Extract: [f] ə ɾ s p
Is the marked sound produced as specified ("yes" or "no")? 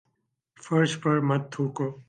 yes